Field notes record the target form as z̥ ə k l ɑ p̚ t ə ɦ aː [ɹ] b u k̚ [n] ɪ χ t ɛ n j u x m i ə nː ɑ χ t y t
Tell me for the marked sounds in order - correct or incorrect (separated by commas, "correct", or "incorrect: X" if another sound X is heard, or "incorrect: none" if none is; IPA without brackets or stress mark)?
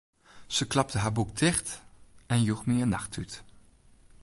correct, incorrect: d